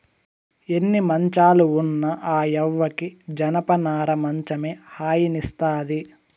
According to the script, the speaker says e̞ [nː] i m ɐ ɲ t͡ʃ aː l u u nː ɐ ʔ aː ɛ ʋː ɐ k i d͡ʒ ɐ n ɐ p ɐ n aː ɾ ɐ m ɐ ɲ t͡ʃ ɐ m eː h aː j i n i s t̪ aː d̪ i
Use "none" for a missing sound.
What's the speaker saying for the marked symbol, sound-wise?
nː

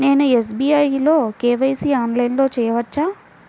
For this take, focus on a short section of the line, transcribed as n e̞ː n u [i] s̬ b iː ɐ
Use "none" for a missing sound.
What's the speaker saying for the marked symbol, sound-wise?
e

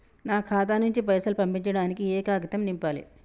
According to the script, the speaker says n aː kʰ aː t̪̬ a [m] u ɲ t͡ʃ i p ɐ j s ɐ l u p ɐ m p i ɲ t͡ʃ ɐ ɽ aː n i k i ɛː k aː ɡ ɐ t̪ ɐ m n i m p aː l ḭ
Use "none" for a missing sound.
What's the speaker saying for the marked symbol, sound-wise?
n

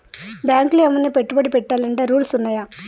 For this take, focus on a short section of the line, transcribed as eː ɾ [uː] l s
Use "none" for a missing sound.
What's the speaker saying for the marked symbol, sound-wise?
uː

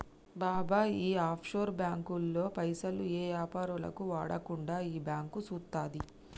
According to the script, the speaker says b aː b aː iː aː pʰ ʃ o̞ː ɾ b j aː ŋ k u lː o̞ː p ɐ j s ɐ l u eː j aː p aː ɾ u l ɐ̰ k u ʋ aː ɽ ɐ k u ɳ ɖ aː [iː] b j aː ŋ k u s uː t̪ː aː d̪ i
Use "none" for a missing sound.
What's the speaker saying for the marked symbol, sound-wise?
iː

